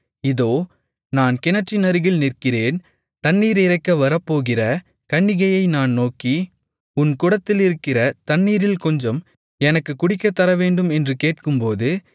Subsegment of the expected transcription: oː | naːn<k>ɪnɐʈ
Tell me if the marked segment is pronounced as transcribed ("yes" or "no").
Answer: yes